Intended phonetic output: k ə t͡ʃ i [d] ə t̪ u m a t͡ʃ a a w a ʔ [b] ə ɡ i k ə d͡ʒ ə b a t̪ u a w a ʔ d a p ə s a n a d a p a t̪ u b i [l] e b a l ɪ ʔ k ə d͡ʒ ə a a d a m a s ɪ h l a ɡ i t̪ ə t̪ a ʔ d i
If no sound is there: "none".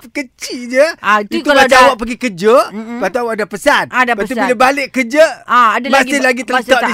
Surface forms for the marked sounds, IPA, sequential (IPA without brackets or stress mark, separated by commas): d͡ʒ, p, l